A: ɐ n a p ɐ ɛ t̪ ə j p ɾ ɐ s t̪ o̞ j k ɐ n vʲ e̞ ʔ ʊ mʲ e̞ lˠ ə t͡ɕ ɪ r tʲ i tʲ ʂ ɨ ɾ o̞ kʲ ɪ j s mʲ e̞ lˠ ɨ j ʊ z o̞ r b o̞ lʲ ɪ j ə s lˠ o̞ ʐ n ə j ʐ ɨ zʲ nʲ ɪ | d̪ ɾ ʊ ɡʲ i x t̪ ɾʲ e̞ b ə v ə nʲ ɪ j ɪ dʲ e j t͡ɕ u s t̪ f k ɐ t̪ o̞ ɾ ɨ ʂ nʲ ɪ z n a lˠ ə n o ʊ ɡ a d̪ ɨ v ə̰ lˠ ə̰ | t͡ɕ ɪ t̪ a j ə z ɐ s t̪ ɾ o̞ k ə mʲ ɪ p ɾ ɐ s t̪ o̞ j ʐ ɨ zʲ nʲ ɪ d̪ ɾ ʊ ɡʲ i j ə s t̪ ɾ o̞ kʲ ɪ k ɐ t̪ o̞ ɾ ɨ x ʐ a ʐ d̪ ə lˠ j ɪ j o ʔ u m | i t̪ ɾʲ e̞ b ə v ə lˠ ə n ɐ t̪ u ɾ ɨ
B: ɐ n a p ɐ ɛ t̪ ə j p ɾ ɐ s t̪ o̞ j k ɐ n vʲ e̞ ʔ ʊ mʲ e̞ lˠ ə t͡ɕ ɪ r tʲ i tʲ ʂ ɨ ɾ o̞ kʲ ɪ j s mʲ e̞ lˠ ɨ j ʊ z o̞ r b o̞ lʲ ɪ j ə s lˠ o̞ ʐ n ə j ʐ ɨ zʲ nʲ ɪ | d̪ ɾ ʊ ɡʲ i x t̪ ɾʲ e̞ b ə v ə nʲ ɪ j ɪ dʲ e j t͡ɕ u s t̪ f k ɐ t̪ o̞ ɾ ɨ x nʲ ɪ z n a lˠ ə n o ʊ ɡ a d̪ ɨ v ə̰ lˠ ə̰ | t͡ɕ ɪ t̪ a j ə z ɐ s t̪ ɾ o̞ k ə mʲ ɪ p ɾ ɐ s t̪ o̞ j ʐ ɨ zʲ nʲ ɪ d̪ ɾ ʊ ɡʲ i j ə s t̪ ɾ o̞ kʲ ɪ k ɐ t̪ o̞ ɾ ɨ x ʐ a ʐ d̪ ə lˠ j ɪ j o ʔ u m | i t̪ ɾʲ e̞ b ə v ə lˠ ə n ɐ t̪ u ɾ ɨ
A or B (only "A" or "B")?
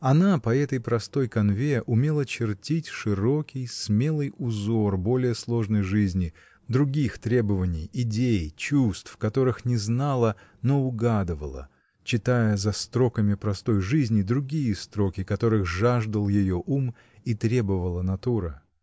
B